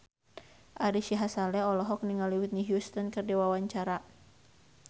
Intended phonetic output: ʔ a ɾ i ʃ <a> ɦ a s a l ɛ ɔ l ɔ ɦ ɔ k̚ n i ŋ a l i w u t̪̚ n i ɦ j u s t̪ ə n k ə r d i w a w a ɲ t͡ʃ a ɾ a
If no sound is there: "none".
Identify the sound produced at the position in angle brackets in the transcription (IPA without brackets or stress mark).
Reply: i